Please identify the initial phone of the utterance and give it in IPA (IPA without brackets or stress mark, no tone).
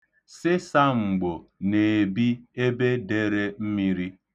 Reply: s